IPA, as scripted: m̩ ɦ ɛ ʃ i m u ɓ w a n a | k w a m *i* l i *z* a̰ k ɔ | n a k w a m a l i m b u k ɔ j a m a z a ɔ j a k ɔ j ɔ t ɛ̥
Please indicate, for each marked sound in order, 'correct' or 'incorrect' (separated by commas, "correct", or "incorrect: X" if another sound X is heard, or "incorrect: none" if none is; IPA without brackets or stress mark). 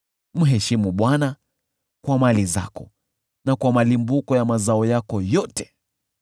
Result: incorrect: a, correct